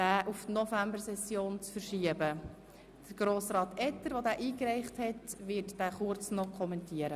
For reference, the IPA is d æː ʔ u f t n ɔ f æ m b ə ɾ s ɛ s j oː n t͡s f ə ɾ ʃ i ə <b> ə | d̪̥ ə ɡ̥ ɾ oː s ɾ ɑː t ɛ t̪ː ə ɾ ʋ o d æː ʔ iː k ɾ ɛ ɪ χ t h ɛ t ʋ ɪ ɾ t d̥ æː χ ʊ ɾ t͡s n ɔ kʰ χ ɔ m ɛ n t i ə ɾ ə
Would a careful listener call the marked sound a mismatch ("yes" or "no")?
no